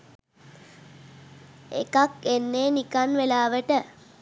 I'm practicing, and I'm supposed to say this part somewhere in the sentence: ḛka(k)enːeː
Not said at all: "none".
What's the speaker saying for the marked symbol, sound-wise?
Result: k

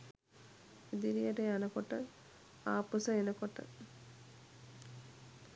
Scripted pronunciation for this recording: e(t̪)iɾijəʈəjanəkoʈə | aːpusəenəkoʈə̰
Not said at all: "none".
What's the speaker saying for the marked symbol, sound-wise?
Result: d̪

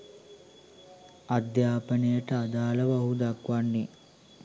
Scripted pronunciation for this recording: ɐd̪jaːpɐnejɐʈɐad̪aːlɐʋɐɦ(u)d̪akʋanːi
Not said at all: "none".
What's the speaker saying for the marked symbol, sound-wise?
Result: u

